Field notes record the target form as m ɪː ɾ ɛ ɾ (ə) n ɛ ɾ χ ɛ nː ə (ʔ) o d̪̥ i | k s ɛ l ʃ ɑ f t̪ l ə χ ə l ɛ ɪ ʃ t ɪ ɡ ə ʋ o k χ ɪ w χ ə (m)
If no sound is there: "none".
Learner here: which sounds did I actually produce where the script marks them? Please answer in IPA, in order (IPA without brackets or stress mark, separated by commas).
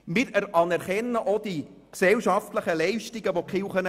ɑ, ʔ, n